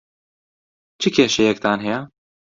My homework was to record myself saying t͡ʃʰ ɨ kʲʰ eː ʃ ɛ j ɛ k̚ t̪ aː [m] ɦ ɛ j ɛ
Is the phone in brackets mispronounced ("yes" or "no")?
yes